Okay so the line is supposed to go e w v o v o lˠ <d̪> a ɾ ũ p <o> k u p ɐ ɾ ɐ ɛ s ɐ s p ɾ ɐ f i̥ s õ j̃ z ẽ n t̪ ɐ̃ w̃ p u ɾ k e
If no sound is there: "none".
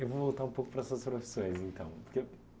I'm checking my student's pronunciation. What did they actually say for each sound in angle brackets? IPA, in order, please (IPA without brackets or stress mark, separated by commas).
t̪, o